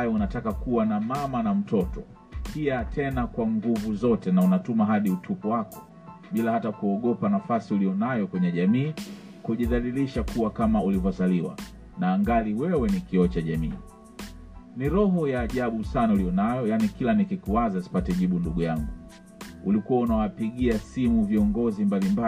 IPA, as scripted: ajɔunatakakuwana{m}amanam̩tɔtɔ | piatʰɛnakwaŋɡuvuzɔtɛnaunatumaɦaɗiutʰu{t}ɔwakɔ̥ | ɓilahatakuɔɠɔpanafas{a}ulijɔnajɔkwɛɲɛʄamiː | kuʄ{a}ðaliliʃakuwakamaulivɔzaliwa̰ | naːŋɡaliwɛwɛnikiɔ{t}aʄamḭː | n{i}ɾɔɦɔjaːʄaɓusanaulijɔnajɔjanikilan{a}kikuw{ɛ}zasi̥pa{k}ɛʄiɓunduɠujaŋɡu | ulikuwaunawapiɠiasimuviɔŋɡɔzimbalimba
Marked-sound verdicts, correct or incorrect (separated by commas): correct, incorrect, incorrect, incorrect, incorrect, correct, incorrect, incorrect, incorrect